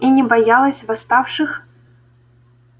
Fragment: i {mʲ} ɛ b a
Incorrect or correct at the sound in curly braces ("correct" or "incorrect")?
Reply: incorrect